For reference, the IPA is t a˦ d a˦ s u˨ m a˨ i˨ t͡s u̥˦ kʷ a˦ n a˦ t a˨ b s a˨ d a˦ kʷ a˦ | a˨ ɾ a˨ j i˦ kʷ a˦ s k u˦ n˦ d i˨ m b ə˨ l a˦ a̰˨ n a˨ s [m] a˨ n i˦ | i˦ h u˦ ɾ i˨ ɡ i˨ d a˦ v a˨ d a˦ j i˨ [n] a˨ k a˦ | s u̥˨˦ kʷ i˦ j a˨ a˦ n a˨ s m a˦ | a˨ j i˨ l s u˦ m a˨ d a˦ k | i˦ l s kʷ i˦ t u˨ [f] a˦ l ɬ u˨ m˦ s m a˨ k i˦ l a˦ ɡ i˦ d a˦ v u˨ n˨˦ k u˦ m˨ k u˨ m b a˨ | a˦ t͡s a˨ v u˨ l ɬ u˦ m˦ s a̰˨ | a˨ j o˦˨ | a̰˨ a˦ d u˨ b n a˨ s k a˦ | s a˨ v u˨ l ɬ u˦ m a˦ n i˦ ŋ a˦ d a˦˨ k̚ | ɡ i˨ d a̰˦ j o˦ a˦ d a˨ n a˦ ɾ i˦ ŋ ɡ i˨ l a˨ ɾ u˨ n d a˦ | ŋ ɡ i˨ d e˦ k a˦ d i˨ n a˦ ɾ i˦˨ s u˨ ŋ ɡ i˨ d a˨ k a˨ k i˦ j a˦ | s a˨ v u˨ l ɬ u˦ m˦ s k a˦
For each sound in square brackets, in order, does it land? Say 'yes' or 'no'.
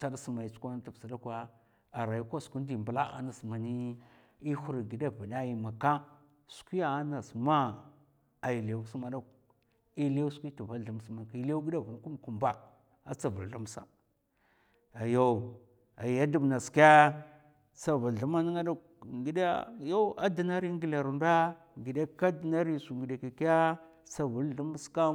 yes, no, no

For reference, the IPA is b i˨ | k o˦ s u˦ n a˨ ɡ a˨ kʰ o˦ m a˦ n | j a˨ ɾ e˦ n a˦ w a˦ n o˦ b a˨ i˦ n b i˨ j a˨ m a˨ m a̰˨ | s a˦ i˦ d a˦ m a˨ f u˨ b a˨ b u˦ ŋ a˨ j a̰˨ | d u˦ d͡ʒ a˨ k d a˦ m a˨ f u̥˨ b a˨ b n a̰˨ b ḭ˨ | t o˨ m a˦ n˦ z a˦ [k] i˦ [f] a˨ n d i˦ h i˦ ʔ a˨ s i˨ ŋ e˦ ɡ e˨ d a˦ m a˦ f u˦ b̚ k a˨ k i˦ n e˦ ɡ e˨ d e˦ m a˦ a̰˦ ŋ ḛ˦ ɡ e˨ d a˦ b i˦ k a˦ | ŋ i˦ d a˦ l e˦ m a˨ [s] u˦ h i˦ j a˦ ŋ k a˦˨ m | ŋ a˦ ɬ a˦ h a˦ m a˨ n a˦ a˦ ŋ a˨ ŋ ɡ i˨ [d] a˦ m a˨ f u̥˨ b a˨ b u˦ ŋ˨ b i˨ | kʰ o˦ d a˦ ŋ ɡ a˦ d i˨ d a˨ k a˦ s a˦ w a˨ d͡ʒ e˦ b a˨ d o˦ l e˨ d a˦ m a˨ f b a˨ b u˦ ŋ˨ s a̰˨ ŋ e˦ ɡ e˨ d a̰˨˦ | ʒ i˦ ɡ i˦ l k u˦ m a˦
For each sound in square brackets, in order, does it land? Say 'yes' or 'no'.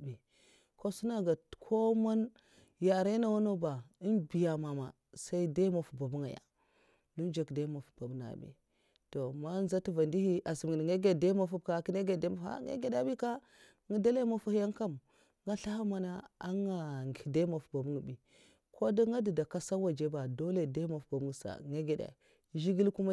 no, no, no, yes

